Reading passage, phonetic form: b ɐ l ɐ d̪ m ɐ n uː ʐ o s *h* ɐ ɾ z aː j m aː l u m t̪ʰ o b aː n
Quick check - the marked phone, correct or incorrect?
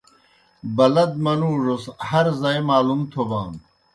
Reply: correct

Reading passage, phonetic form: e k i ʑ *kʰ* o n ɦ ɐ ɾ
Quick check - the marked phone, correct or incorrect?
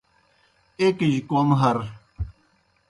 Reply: incorrect: k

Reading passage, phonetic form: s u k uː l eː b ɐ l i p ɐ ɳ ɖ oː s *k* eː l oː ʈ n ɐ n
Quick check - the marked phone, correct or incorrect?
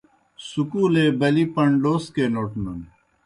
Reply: correct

